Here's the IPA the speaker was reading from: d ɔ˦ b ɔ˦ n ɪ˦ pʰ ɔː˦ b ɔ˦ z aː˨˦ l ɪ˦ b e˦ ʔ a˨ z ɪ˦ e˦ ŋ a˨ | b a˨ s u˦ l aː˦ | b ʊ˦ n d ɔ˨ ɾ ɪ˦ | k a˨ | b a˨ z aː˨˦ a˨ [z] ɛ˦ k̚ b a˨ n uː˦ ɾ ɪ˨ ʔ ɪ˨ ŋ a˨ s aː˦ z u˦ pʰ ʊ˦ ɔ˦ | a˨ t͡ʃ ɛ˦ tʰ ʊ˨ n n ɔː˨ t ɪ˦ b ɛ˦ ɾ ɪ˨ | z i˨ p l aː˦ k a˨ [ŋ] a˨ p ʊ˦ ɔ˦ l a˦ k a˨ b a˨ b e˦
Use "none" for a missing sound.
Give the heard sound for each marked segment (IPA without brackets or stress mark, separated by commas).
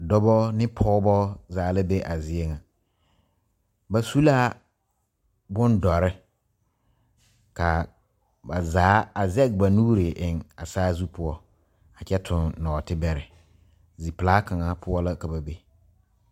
z, ŋ